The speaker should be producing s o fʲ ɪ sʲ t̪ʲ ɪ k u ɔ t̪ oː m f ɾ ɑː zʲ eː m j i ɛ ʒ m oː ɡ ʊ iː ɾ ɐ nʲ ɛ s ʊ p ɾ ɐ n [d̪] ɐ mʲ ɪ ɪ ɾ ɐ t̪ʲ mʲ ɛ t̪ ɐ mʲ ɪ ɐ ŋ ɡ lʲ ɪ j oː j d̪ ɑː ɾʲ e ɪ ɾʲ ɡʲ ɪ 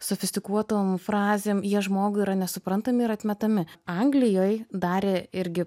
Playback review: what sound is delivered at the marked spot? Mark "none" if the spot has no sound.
t̪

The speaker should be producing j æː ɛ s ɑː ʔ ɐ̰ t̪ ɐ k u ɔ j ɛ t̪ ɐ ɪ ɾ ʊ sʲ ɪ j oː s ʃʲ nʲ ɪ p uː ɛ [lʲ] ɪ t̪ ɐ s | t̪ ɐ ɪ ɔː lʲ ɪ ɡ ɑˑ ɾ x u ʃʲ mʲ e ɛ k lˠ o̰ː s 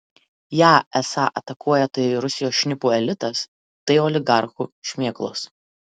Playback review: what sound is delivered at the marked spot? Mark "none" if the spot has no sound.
lʲ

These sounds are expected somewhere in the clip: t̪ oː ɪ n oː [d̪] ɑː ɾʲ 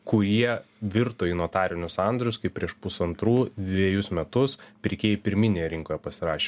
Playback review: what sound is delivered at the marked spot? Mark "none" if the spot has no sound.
t̪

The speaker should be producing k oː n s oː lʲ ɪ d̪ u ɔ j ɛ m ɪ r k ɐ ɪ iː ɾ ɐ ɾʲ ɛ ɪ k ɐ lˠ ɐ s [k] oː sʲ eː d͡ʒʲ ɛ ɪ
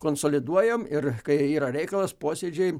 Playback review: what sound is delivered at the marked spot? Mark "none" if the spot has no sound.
p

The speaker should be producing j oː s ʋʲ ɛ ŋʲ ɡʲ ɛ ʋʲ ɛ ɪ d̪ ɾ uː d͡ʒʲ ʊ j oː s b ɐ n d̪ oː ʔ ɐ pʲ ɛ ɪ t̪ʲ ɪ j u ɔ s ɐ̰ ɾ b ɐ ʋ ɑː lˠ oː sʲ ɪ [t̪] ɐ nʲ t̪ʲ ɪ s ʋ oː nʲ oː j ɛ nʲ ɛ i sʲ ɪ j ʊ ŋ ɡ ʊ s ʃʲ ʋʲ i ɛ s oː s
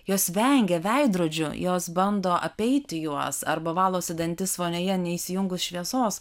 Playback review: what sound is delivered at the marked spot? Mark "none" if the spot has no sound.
d̪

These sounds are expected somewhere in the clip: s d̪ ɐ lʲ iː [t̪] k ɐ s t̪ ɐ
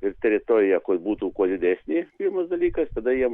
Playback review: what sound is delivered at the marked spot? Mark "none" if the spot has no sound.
none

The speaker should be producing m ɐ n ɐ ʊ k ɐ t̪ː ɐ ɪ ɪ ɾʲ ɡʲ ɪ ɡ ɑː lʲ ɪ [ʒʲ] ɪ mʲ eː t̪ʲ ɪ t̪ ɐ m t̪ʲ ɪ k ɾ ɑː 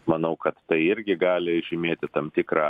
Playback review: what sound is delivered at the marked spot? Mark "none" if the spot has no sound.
ʒʲ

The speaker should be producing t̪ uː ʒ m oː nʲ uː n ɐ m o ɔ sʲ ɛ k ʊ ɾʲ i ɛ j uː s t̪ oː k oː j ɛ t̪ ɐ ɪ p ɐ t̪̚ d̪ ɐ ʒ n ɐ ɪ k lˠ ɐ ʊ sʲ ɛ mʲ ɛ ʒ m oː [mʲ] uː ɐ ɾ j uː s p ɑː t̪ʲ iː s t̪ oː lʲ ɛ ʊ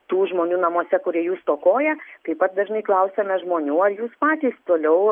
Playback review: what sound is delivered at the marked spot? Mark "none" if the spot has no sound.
nʲ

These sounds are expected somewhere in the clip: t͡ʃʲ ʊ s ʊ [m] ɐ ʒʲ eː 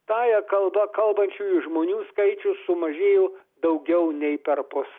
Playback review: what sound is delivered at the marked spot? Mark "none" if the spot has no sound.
m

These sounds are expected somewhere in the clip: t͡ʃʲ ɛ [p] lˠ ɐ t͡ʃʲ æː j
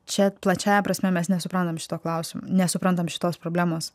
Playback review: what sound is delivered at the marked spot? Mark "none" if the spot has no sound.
p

